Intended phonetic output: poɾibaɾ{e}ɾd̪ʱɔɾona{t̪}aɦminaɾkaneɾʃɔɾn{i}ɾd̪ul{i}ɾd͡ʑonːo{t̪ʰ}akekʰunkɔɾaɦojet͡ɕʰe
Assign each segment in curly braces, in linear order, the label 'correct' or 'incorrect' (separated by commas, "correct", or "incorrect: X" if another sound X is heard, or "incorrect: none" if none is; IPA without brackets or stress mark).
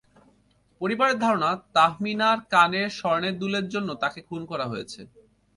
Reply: correct, correct, incorrect: e, incorrect: e, incorrect: t̪